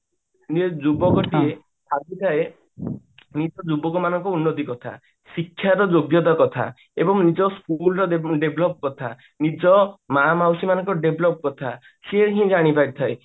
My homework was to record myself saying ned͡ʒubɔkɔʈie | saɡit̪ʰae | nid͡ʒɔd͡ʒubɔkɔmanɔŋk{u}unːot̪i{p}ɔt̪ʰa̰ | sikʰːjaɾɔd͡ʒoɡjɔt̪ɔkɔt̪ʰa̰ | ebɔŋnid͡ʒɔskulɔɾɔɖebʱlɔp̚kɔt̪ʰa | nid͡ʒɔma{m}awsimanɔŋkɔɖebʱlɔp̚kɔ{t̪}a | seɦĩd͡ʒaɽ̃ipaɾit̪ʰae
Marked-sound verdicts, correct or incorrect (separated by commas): incorrect, incorrect, correct, incorrect